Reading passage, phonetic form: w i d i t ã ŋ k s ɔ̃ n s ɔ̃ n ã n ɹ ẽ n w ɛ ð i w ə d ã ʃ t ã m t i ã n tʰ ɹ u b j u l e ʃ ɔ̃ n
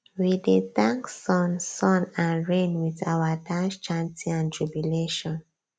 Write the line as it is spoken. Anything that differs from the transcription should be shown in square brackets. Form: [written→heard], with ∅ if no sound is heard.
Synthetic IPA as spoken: w i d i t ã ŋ k s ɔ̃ n s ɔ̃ n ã n ɹ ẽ n w [ɛ→i] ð [i→a] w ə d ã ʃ [t→t͡ʃ] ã [m→n] t i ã n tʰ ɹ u b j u l e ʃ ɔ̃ n